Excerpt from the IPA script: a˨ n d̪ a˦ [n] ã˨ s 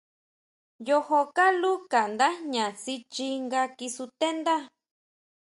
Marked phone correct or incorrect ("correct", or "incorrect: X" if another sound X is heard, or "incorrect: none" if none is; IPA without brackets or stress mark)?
incorrect: ɲ